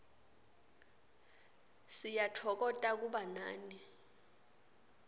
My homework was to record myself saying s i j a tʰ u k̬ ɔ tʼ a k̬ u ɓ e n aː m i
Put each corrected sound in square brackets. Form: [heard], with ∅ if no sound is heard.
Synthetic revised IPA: s i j a tʰ [ɔ] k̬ ɔ tʼ a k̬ u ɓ [a] n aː [n] i